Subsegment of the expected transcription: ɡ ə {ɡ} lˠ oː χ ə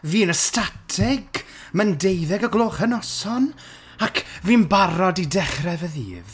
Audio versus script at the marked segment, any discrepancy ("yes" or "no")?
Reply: no